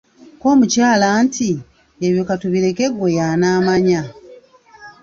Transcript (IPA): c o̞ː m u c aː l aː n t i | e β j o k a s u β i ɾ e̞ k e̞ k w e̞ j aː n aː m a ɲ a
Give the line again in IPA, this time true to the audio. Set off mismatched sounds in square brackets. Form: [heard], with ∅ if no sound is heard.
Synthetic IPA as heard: [k] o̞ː m u c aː l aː n t i | e β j o k a [t] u β i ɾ e̞ k e̞ [ɡ] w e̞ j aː n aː m a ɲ a